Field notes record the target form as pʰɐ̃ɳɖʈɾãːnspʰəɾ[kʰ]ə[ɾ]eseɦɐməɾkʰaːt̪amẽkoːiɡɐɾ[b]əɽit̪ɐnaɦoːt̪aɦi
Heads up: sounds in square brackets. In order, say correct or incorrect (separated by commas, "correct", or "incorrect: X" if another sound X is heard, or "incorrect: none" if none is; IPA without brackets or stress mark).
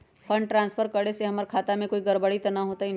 incorrect: k, incorrect: ɽ, correct